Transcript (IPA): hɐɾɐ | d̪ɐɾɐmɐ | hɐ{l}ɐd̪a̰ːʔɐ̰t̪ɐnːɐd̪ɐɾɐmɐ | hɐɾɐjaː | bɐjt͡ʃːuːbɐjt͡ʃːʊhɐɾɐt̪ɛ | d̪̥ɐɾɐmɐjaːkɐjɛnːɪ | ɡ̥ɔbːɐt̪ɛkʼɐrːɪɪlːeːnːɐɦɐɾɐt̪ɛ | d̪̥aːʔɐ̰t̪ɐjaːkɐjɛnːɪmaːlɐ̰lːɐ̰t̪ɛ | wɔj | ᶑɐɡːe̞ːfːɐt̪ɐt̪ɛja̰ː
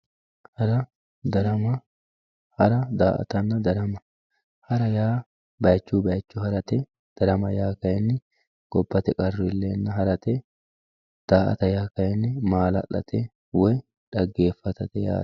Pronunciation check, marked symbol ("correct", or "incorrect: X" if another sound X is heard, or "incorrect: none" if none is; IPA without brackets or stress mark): incorrect: ɾ